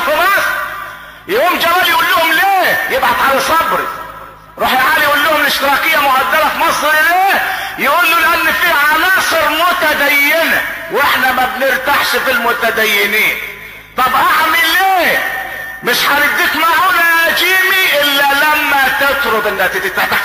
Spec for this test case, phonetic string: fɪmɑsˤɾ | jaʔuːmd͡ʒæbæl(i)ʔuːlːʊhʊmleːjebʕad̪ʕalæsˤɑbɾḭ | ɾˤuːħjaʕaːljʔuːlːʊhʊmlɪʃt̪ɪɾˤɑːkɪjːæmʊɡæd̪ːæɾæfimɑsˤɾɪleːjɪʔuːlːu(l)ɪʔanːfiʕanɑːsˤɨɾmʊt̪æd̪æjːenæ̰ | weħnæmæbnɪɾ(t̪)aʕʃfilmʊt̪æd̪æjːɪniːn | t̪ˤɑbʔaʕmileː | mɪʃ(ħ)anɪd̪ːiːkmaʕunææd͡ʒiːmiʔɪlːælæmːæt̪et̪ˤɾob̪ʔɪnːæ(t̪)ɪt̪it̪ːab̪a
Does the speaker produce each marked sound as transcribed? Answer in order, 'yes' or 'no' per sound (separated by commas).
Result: no, yes, yes, yes, yes